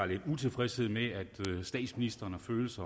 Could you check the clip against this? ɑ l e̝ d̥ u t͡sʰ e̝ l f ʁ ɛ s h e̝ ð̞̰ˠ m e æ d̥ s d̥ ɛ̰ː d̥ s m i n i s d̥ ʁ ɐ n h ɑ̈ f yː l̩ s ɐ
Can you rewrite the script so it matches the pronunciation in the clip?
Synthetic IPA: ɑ l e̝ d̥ u t͡sʰ e̝ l f ʁ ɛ s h e̝ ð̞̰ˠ m e æ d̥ s d̥ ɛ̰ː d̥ s m i n i s d̥ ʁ ɐ n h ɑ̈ f øː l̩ s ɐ